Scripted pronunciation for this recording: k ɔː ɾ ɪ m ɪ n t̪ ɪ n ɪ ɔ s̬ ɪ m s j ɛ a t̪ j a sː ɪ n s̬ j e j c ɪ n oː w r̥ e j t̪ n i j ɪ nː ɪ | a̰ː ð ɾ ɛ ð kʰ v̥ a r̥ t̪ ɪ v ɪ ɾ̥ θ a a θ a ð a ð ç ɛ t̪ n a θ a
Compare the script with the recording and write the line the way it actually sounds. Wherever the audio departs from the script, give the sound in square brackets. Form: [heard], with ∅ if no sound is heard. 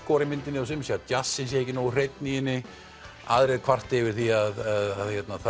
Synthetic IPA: k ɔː ɾ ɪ m ɪ n t̪ ɪ n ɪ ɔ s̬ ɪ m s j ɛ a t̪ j a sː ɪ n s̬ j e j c ɪ n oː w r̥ e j t̪ n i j ɪ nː ɪ | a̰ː ð ɾ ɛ ð kʰ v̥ a r̥ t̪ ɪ v ɪ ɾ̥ θ [i] a [ð] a ð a ð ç ɛ t̪ n a θ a

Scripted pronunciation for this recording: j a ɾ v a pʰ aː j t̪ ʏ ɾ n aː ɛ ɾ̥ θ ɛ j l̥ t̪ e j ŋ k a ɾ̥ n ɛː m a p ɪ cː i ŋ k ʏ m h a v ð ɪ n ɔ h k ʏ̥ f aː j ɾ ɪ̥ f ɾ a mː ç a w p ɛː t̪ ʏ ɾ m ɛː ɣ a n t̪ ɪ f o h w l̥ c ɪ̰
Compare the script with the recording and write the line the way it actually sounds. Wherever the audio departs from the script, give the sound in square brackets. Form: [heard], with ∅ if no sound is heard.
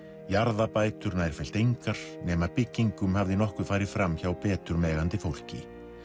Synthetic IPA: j a ɾ [ð] a [p] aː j t̪ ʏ ɾ n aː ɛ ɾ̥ [f] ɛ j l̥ t̪ e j ŋ k a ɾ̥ n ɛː m a p ɪ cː i ŋ k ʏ m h a v ð ɪ n ɔ h k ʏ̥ f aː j ɾ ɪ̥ f ɾ a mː ç a w p ɛː t̪ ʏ ɾ m ɛː ɣ a n t̪ ɪ f o [∅] w l̥ c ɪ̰

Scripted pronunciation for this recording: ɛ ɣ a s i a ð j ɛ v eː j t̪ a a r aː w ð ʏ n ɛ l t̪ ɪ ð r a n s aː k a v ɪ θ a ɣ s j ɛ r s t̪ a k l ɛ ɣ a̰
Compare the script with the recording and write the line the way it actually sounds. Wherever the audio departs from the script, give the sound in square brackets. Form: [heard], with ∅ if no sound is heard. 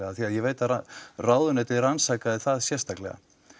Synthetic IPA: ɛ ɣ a [θ] i a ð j ɛ v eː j t̪ a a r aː w ð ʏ n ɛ [∅] t̪ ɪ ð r a n s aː k a [ð] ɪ θ a [ð] s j ɛ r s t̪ a k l ɛ ɣ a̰

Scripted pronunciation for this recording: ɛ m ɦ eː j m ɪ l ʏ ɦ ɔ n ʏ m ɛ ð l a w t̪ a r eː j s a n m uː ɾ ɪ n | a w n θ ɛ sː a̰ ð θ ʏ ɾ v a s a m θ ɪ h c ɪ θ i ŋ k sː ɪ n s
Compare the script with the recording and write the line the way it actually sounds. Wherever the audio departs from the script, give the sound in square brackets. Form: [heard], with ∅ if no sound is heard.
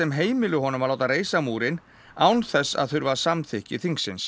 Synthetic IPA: ɛ m ɦ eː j m ɪ l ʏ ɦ ɔ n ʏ m [a] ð l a w t̪ a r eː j s a [∅] m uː ɾ ɪ n | a w n θ ɛ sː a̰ ð θ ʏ ɾ v a s a m θ ɪ h c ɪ θ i ŋ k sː ɪ n s

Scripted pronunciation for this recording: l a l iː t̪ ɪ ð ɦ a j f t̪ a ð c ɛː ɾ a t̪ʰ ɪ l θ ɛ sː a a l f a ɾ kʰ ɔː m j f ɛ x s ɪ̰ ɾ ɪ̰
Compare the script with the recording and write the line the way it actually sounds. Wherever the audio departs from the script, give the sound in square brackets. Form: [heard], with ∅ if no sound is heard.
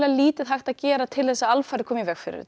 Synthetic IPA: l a l iː t̪ ɪ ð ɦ a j [x] t̪ a ð c ɛː ɾ a t̪ʰ ɪ l θ ɛ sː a a l f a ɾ kʰ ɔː m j [v] ɛ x [f] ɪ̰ ɾ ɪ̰

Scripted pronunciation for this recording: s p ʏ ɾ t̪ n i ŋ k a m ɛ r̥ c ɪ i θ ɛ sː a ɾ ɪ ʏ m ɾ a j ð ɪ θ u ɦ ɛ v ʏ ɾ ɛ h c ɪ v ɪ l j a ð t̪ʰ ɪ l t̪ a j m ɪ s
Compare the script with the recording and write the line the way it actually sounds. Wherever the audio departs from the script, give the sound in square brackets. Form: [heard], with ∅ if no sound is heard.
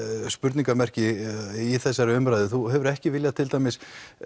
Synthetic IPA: s p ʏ ɾ t̪ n i ŋ k a m ɛ r̥ c ɪ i θ ɛ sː a ɾ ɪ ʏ m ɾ a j ð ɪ θ u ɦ ɛ v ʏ ɾ ɛ h c ɪ v ɪ l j a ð t̪ʰ ɪ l t̪ a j m ɪ s

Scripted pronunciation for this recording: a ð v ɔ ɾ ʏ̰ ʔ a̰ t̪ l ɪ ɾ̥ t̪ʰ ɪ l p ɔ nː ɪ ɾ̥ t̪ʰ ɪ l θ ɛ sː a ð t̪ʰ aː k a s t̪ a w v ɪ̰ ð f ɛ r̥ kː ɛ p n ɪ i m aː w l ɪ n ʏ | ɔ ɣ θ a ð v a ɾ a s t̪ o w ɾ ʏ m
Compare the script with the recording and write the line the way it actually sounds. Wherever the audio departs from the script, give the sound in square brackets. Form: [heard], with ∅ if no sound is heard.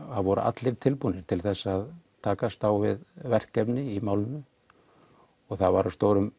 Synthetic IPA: a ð v ɔ ɾ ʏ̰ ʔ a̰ t̪ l ɪ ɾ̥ t̪ʰ ɪ l p [u] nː ɪ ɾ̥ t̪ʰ ɪ l θ ɛ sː a ð t̪ʰ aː k a s t̪ a w v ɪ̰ ð [v] ɛ r̥ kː ɛ p n ɪ i m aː w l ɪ n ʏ | ɔ ɣ θ a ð v a ɾ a s t̪ o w ɾ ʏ m

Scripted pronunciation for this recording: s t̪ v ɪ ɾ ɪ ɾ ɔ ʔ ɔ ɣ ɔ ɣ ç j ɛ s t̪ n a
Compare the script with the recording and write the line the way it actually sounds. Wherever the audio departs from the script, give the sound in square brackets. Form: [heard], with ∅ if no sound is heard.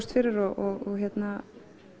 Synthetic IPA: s t̪ [f] ɪ ɾ ɪ ɾ ɔ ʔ ɔ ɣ ɔ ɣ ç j ɛ [∅] t̪ n a

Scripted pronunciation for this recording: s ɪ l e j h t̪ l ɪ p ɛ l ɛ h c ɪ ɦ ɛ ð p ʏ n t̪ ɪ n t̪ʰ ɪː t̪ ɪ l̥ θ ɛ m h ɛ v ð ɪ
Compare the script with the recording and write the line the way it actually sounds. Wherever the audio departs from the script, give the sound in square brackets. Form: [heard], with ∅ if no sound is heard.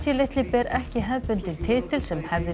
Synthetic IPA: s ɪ l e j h t̪ l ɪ p ɛ [ɾ] ɛ h c ɪ ɦ ɛ ð p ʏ n t̪ ɪ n t̪ʰ ɪː t̪ ɪ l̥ [s] ɛ m h ɛ v ð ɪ

